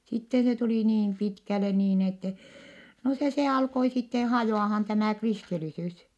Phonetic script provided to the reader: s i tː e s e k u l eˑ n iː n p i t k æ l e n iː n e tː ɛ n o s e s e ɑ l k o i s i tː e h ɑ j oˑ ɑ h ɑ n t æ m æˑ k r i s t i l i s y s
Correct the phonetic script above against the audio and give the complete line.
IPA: s i tː e s e t u l iˑ n iː n p i t k æ l e n iː n e tː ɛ n o s e s e ɑ l k o i s i tː e h ɑ j oˑ ɑ h ɑ n t æ m æˑ k r i s t i l i s y s